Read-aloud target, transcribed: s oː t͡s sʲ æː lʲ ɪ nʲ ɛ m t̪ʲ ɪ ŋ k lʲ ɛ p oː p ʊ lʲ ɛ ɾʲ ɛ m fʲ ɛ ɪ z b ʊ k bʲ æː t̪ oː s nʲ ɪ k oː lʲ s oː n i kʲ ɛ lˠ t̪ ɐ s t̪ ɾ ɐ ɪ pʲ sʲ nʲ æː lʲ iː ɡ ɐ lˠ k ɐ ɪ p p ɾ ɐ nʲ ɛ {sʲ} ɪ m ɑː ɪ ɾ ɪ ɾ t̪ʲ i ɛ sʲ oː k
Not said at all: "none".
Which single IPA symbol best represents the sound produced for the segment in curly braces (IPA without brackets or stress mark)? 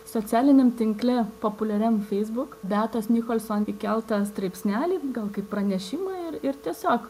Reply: ʃʲ